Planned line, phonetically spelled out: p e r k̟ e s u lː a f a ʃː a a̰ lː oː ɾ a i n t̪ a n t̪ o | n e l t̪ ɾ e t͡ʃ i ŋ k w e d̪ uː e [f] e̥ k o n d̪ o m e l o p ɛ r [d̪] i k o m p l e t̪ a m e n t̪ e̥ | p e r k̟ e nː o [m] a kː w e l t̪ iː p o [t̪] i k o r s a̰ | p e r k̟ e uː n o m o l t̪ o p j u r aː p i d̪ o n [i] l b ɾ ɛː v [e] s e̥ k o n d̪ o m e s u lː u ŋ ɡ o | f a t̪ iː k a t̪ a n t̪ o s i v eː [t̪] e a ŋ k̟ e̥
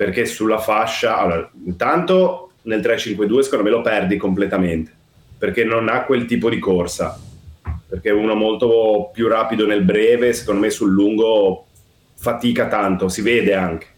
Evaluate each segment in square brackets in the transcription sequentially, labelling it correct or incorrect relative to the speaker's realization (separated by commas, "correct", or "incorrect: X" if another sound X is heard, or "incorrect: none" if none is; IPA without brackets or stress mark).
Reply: incorrect: s, correct, incorrect: n, incorrect: d̪, incorrect: e, correct, incorrect: d̪